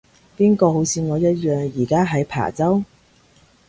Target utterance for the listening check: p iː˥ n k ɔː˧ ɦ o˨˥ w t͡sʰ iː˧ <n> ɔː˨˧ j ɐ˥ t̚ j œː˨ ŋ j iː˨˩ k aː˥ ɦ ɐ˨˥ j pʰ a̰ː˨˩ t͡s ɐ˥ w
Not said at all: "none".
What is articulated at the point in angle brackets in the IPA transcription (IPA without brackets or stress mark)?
ŋ